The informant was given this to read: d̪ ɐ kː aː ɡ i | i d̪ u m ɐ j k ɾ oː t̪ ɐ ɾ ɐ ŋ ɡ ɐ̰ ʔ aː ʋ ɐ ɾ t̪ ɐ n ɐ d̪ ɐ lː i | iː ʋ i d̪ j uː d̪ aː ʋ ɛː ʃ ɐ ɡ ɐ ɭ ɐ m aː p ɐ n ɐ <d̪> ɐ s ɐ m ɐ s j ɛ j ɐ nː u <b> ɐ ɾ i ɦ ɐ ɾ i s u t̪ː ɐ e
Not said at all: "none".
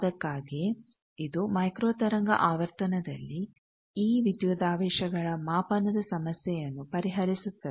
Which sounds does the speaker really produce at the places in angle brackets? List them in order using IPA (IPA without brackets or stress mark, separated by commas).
d̪, p